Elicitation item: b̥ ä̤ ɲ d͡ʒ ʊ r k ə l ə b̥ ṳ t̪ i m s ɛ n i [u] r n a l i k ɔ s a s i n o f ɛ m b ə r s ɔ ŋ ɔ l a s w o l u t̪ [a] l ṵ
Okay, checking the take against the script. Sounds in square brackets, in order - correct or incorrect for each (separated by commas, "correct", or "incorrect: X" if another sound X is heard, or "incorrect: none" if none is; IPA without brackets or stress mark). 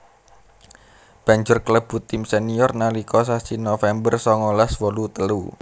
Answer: incorrect: ɔ, incorrect: ə